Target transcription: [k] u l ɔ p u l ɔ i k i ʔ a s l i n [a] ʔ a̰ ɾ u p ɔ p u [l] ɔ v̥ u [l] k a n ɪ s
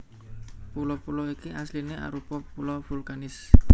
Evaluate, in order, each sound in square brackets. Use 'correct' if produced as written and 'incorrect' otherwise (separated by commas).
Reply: incorrect, incorrect, correct, correct